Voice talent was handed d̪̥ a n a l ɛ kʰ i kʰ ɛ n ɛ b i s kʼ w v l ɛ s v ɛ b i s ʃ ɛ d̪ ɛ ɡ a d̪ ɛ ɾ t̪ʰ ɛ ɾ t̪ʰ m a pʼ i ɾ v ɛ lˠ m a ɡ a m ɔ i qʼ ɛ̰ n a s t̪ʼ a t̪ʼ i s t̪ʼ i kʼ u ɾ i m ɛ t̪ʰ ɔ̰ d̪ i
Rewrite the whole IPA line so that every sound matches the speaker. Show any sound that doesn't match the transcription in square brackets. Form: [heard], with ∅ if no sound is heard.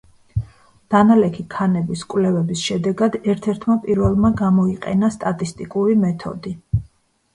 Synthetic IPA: d̪̥ a n a l ɛ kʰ i kʰ [a] n ɛ b i s kʼ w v l ɛ [∅] v ɛ b i s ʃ ɛ d̪ ɛ ɡ a d̪ ɛ ɾ t̪ʰ ɛ ɾ t̪ʰ m a pʼ i ɾ v ɛ lˠ m a ɡ a m ɔ i qʼ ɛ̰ n a s t̪ʼ a t̪ʼ i s t̪ʼ i kʼ u ɾ i m ɛ t̪ʰ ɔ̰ d̪ i